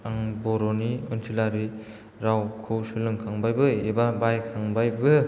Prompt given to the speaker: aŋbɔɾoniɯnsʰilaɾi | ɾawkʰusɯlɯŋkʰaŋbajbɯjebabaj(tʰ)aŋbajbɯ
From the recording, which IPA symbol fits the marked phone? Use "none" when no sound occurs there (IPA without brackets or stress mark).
kʰ